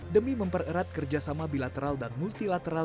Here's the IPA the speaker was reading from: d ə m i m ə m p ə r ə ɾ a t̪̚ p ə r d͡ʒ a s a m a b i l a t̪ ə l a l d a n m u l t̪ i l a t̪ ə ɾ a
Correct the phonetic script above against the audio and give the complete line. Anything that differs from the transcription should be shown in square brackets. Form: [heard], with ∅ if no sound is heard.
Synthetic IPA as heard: d ə m i m ə m p ə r ə ɾ a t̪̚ [k] ə r d͡ʒ a s a m a b i l a t̪ ə [ɾ] a l d a n m u l t̪ i l a t̪ ə ɾ a